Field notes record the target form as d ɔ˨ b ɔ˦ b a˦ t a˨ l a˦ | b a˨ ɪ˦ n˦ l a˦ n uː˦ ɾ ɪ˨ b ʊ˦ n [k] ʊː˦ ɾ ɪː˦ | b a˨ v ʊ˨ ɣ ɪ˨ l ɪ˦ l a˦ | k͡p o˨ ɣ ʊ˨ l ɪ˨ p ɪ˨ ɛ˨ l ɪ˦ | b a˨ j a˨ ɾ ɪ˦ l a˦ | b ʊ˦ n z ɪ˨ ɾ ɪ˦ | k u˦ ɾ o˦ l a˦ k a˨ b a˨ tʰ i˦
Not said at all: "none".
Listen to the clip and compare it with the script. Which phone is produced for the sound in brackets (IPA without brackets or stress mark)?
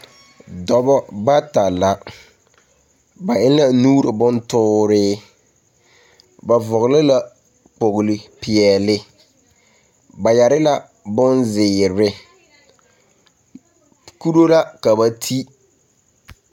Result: t